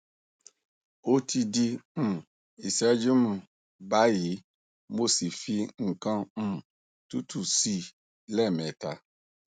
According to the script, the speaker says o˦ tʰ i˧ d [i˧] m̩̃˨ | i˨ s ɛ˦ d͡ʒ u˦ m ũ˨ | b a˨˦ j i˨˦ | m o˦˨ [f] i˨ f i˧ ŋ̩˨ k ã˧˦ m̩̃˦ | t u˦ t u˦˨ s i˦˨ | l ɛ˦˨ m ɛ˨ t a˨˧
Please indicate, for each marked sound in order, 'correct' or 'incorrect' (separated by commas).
correct, incorrect